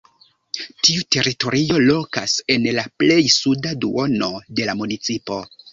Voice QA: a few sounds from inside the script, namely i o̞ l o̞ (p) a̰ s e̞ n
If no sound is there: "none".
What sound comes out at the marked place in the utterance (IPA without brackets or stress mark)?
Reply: k